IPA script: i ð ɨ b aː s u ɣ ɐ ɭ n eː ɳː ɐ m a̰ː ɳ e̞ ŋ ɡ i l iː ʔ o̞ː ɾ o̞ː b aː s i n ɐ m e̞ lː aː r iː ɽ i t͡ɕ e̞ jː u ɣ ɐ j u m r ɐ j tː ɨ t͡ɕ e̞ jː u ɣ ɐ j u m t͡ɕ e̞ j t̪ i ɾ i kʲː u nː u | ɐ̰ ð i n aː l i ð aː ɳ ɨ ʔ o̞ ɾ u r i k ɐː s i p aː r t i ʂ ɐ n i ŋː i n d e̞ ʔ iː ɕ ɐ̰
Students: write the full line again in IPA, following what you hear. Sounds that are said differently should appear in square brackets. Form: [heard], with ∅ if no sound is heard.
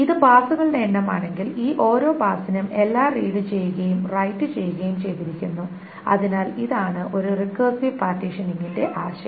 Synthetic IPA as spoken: i ð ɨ b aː s u ɣ ɐ ɭ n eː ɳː ɐ m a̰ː ɳ e̞ ŋ ɡ i l iː ʔ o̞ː ɾ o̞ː b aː s i n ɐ m e̞ lː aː r iː ɽ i t͡ɕ e̞ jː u ɣ ɐ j u m r ɐ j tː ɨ t͡ɕ e̞ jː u ɣ ɐ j u m t͡ɕ e̞ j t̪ i ɾ i kʲː u nː u | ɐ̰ ð i n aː l i ð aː ɳ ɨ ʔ o̞ ɾ u r i k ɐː s i p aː r t i ʂ ɐ n i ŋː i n d e̞ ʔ [aː] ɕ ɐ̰